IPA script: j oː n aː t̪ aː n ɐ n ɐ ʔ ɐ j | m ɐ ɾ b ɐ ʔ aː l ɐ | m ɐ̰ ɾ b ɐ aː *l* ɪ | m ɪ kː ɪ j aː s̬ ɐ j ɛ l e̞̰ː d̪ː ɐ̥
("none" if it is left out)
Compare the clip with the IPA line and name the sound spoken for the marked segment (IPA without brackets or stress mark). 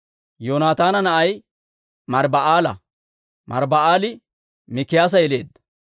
l